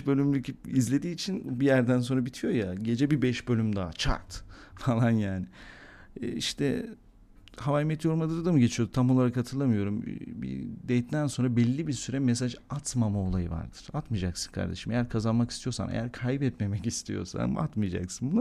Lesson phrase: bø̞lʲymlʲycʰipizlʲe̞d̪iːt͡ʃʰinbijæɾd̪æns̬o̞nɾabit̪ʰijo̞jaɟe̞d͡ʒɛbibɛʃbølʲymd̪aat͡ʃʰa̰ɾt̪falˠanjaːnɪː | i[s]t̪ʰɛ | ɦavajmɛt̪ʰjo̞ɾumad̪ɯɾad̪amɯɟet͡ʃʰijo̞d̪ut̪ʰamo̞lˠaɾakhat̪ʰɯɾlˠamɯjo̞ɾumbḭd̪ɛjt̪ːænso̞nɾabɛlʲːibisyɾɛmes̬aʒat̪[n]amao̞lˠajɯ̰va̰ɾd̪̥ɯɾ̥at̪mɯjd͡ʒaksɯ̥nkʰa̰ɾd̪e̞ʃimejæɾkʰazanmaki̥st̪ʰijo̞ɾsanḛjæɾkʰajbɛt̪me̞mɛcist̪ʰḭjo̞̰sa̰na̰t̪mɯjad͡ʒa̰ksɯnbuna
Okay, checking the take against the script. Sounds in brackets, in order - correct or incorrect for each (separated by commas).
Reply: incorrect, incorrect